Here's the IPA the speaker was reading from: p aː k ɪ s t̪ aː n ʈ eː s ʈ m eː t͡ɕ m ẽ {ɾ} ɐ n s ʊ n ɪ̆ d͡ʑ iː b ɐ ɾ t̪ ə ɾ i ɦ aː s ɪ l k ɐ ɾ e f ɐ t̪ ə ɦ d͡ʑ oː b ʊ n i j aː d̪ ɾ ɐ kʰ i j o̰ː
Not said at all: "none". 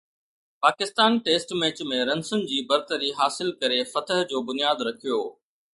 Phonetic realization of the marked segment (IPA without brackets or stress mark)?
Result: ɾ